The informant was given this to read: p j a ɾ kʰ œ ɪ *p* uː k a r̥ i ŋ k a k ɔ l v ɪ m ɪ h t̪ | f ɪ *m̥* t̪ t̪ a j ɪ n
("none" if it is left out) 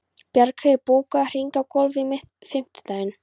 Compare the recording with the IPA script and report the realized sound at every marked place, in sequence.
p, m̥

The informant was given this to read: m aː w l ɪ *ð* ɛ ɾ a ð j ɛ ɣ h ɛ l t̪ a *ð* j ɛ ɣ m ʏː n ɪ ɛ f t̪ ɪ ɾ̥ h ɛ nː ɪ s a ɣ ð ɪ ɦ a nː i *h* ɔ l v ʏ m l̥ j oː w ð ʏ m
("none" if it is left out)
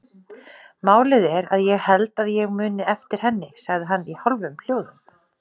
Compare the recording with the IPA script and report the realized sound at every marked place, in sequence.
ð, ð, h

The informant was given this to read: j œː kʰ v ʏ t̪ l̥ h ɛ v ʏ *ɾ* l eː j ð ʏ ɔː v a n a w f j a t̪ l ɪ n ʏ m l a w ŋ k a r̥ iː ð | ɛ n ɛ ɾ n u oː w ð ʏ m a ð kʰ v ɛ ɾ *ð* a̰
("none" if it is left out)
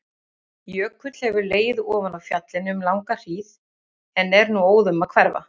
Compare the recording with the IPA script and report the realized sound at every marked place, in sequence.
ɾ, v

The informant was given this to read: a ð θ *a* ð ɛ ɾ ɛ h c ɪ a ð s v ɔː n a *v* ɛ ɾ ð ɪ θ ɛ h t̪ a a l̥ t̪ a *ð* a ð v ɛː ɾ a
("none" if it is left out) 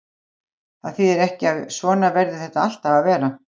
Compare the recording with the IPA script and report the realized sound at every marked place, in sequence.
i, v, v

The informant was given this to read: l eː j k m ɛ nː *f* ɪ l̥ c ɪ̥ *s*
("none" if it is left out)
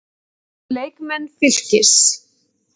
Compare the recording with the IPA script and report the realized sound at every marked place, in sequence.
f, s

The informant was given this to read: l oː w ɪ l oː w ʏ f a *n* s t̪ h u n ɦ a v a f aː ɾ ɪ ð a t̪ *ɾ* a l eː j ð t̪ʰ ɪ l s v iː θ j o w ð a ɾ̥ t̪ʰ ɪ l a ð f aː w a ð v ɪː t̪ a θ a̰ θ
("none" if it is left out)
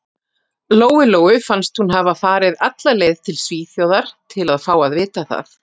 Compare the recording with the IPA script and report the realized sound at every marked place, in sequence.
n, l

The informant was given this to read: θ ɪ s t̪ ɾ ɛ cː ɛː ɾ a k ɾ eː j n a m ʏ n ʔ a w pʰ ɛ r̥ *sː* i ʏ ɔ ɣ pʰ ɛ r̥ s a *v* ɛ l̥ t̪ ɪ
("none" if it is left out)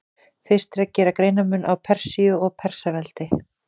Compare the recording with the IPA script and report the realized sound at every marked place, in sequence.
s, v

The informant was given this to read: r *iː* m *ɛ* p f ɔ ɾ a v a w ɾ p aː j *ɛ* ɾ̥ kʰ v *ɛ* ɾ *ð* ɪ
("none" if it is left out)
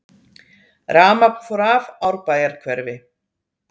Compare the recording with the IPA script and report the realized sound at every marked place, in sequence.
aː, a, a, ɛ, v

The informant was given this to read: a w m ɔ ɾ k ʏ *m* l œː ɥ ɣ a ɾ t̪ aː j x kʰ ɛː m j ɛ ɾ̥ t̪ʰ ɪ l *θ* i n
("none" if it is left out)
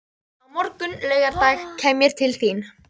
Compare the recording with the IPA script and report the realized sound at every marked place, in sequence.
n, θ

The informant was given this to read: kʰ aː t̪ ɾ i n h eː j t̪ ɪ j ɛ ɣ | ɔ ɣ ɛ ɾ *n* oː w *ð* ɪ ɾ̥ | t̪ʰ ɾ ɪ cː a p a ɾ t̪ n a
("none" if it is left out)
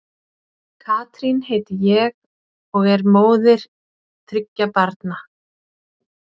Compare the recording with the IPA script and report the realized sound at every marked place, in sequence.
m, ð

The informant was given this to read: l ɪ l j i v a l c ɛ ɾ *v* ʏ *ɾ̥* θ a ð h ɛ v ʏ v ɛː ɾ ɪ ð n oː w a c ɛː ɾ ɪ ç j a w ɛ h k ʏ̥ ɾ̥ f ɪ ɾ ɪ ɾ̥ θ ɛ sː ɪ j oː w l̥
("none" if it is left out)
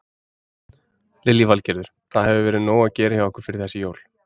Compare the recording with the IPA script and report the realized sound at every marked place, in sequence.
ð, ɾ̥

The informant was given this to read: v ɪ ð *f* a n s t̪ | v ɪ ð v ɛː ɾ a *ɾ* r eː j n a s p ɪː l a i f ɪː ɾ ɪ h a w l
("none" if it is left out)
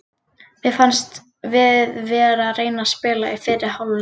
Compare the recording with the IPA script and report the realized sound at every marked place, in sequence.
f, none

